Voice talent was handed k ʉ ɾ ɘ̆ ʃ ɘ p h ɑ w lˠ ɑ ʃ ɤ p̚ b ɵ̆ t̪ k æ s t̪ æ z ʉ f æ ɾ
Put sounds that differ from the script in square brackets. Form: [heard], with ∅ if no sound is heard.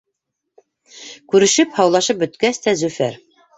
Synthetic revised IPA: k ʉ ɾ ɘ̆ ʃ ɘ p h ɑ w lˠ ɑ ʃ ɤ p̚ b ɵ̆ t̪ k æ s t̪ æ z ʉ f æ ɾ

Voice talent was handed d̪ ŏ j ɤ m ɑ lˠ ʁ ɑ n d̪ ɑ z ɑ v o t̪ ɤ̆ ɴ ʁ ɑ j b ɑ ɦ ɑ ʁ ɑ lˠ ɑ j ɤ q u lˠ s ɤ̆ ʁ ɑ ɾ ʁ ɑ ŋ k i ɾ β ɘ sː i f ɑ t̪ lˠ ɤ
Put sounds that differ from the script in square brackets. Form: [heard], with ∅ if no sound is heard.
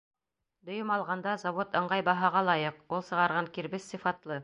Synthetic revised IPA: d̪ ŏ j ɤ m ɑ lˠ ʁ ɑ n d̪ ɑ z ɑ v o t̪ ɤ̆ ɴ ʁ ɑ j b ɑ ɦ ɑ ʁ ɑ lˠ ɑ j ɤ q u lˠ s ɤ̆ ʁ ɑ ɾ ʁ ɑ ŋ k i ɾ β ɘ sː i f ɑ t̪ lˠ ɤ

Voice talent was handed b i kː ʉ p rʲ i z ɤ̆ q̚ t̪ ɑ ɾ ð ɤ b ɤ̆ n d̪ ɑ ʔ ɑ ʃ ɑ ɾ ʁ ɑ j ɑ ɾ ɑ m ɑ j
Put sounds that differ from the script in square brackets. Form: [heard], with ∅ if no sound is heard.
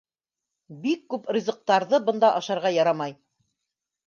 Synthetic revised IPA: b i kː ʉ p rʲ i z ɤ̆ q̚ t̪ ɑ ɾ ð ɤ b ɤ̆ n d̪ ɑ ʔ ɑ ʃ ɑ ɾ ʁ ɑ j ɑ ɾ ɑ m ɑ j

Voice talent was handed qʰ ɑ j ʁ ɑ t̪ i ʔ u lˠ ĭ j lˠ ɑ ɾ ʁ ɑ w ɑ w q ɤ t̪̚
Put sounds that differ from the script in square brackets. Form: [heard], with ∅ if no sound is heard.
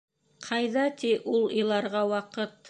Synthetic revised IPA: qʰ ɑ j [ð] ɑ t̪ i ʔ u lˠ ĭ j lˠ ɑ ɾ ʁ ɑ w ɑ [∅] q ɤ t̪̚

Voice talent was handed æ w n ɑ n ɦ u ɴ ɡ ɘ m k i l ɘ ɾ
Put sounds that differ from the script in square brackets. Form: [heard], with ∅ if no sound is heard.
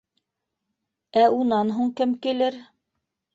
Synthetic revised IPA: æ [u] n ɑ n ɦ u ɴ [k] ɘ m k i l ɘ ɾ

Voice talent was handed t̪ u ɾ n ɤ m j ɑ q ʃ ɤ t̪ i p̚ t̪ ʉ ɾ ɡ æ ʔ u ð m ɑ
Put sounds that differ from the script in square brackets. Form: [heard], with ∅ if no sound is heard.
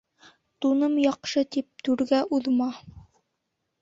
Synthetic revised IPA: t̪ u [∅] n ɤ m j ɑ q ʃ ɤ t̪ i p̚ t̪ ʉ ɾ ɡ æ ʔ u ð m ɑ

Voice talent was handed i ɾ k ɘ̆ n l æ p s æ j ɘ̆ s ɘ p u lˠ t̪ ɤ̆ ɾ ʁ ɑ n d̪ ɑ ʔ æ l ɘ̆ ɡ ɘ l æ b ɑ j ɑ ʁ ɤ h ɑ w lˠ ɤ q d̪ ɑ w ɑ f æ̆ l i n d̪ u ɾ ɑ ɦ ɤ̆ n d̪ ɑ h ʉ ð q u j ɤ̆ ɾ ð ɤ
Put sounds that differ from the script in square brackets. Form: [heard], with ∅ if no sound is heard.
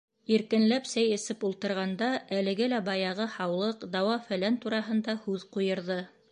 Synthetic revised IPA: i ɾ k ɘ̆ n l æ p s æ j ɘ̆ s ɘ p u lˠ t̪ ɤ̆ ɾ ʁ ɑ n d̪ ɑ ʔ æ l ɘ̆ ɡ ɘ l æ b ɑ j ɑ ʁ ɤ h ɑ w lˠ ɤ q d̪ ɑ w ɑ f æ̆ l [æ] n [t̪] u ɾ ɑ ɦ ɤ̆ n d̪ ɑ h ʉ ð q u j ɤ̆ ɾ ð ɤ

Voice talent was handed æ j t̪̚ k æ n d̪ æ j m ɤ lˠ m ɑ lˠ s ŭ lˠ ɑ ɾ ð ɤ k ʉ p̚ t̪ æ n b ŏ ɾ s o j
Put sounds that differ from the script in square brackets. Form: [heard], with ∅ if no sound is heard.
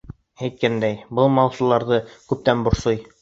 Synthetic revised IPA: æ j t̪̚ k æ n d̪ æ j [b] ɤ lˠ m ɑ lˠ s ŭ lˠ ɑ ɾ ð ɤ k ʉ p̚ t̪ æ n b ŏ ɾ s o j

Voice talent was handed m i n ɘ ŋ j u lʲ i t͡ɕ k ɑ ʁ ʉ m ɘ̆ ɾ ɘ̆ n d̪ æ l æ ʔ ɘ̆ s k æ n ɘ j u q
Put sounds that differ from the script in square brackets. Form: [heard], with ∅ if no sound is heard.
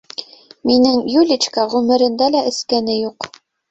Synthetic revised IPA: m i n ɘ ŋ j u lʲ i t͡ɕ k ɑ ʁ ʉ m ɘ̆ ɾ ɘ̆ n d̪ æ l æ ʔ ɘ̆ s k æ n ɘ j u q

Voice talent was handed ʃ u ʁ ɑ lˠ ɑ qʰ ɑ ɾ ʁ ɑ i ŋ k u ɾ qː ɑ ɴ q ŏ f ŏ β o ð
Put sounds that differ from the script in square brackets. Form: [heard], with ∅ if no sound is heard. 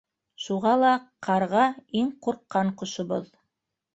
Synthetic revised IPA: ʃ u ʁ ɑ lˠ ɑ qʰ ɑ ɾ ʁ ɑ i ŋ [q] u ɾ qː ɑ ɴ q ŏ [ʃ] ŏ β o ð

